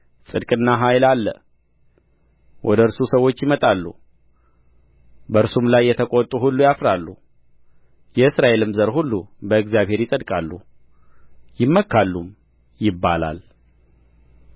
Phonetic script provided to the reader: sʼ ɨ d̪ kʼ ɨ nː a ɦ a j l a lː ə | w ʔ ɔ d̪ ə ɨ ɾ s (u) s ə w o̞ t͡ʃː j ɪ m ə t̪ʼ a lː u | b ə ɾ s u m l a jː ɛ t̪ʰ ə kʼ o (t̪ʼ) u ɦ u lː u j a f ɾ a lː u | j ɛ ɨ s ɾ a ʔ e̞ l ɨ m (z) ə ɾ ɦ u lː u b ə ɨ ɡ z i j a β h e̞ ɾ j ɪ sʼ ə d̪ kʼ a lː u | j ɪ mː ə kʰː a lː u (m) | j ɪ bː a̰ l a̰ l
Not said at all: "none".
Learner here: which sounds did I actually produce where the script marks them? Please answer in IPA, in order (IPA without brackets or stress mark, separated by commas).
u, t̪ʼ, z, m